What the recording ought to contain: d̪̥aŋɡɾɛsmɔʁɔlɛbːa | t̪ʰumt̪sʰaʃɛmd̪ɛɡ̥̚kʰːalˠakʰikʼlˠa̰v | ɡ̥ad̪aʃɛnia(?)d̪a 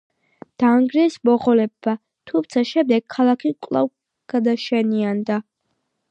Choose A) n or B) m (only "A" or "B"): A